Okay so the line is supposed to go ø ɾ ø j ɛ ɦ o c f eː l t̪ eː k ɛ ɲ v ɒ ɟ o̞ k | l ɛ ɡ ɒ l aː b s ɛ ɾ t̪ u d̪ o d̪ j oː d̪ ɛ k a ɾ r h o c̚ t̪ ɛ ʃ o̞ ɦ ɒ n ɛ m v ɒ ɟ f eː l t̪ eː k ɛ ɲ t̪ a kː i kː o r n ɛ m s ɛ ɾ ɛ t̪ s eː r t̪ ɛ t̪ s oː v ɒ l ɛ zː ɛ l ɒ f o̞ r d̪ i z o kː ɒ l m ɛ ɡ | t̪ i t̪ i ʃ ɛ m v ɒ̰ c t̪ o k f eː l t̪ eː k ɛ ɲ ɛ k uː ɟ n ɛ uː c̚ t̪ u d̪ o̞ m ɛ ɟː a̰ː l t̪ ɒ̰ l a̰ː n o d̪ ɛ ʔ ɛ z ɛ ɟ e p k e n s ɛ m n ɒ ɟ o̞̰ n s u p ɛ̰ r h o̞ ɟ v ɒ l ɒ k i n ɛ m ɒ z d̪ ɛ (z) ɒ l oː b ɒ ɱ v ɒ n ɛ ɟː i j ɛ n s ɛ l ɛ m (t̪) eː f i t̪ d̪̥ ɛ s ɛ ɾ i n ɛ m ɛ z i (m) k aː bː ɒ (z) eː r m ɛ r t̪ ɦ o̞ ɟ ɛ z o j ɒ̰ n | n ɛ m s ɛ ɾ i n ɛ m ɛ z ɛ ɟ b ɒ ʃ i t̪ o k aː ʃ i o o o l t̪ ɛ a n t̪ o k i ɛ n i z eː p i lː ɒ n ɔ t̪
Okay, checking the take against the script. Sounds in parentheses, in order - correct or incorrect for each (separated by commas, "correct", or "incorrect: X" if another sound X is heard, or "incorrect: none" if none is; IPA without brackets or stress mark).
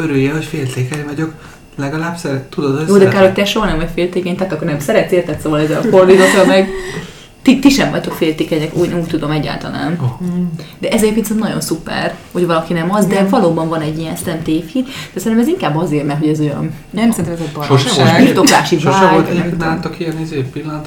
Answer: incorrect: v, correct, incorrect: ŋ, correct